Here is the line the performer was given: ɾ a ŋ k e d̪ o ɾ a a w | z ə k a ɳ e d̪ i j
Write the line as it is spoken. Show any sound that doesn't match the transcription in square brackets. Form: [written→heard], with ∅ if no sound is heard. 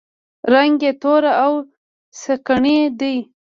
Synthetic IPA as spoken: ɾ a ŋ [k→ɡ] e [d̪→t̪] o ɾ a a w | [z→s] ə k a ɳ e d̪ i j